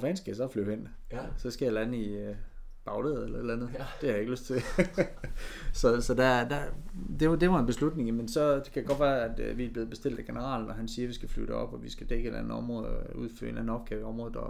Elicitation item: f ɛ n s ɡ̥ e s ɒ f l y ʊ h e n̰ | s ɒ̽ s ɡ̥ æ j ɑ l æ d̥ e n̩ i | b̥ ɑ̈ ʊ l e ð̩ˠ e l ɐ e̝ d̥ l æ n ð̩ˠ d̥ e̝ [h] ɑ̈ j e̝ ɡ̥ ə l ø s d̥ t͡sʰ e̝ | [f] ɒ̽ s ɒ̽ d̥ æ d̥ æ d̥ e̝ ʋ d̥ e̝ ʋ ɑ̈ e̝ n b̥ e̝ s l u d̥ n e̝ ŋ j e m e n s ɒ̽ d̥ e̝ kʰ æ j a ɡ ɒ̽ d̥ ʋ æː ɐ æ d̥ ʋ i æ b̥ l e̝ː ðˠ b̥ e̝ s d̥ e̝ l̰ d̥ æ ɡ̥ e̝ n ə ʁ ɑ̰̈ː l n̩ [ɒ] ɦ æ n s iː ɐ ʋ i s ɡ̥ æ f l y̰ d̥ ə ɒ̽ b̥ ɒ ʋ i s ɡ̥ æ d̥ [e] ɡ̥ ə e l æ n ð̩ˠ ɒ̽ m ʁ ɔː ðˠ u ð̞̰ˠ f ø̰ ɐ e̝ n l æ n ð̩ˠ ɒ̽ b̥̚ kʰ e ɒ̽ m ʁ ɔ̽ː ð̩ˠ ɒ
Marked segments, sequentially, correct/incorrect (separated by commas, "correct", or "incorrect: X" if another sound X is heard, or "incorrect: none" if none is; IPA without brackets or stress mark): correct, incorrect: s, correct, correct